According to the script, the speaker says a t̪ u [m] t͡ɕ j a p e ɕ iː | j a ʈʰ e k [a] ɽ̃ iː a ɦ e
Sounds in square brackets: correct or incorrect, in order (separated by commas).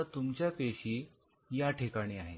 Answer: correct, correct